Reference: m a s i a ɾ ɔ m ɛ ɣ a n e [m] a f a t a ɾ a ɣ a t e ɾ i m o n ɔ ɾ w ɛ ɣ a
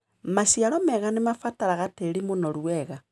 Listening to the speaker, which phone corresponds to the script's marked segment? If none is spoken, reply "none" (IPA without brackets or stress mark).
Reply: m